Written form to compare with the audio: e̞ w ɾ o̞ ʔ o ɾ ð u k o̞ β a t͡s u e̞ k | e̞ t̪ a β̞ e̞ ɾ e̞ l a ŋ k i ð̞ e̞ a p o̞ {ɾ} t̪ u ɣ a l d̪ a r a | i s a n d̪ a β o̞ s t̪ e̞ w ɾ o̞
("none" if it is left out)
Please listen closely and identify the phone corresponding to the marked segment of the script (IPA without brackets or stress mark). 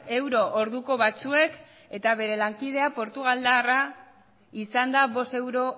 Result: ɾ